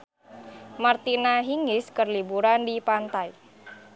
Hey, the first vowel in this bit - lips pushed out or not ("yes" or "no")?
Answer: no